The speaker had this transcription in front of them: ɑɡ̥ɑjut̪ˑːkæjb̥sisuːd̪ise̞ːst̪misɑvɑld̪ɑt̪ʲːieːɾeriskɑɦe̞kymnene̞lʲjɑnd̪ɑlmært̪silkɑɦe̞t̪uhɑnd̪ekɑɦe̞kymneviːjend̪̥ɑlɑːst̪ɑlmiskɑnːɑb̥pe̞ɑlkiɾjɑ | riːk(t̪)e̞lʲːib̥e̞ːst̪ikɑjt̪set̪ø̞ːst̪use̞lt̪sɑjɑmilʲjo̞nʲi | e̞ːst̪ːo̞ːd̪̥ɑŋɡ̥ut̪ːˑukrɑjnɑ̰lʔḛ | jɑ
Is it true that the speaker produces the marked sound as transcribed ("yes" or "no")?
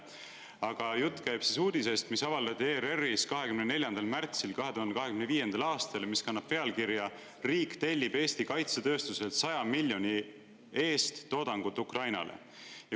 yes